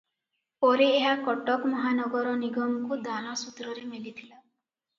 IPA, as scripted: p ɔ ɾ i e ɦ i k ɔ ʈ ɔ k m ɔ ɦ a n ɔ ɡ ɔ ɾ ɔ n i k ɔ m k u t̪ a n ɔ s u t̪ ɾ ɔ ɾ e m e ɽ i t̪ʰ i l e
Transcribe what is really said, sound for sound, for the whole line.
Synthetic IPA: p ɔ ɾ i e ɦ a k ɔ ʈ ɔ k m ɔ ɦ a n ɔ ɡ ɔ ɾ ɔ n i ɡ ɔ m k u d̪ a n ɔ s u t̪ ɾ ɔ ɾ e m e l i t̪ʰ i l a